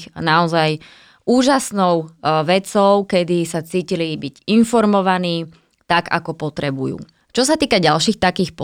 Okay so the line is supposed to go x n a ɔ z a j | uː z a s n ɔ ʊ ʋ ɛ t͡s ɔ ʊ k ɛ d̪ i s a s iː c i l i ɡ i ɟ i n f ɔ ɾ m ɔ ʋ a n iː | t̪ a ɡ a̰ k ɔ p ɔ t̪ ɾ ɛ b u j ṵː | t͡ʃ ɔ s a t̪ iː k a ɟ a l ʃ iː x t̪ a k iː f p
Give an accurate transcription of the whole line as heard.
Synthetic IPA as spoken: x n a ɔ z a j | uː ʒ a s n ɔ ʊ ʋ ɛ t͡s ɔ ʊ k ɛ d̪ i s a t͡s iː c i l i b i ɟ i n f ɔ ɾ m ɔ ʋ a n iː | t̪ a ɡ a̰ k ɔ p ɔ t̪ ɾ ɛ b u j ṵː | t͡ʃ ɔ s a t̪ iː k a ɟ a l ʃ iː x t̪ a k iː x p